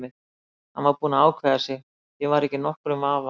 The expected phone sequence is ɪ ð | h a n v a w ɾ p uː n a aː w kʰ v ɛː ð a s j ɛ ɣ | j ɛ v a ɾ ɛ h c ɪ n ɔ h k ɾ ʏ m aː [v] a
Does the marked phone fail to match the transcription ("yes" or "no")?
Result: no